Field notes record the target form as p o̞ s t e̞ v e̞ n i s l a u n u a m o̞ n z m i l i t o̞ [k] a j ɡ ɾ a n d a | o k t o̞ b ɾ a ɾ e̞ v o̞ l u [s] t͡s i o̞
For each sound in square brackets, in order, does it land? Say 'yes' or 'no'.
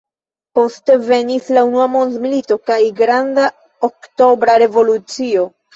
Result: yes, no

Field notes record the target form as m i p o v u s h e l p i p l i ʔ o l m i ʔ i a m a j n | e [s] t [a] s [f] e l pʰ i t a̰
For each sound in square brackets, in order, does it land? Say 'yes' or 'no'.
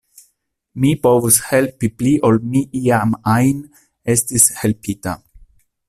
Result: yes, no, no

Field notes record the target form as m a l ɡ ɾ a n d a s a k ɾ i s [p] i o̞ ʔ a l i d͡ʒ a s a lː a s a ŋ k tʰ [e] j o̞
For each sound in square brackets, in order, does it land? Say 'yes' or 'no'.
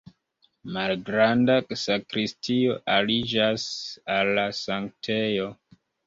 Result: no, yes

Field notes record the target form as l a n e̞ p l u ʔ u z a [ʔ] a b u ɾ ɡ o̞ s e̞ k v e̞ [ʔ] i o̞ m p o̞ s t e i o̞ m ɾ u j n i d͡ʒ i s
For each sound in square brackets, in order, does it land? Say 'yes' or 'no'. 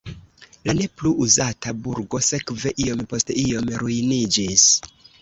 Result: no, yes

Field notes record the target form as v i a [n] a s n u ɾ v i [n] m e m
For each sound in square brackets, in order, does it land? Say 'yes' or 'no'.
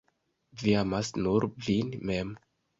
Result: no, yes

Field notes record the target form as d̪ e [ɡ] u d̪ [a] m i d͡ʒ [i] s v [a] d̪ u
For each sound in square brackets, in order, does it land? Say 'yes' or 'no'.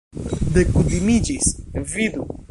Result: no, no, yes, no

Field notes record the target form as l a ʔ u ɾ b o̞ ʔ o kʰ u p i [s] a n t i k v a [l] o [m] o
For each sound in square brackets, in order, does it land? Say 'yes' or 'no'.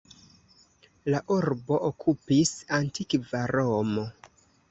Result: yes, no, yes

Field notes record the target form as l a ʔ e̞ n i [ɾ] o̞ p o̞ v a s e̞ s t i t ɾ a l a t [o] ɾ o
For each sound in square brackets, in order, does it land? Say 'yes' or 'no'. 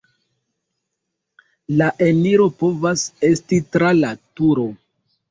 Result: yes, no

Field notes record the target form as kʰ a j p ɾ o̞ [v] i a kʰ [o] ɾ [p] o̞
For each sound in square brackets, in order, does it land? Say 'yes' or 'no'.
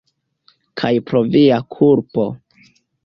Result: yes, no, yes

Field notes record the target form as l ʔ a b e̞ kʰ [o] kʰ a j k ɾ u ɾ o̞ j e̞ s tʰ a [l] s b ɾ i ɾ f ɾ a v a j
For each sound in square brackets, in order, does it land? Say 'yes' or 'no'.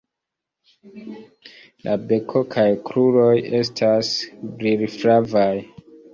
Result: yes, no

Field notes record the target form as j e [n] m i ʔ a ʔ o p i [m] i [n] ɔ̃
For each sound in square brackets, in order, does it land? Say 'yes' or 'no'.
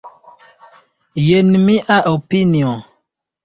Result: yes, no, no

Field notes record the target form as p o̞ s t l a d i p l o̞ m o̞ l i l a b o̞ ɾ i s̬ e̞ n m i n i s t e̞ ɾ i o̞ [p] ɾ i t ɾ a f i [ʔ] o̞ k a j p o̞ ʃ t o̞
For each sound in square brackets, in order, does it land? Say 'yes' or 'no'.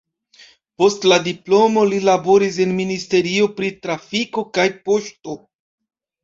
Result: yes, no

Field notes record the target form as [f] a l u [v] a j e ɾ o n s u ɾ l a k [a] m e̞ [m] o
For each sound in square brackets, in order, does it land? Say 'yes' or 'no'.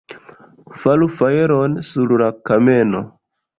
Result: yes, no, yes, no

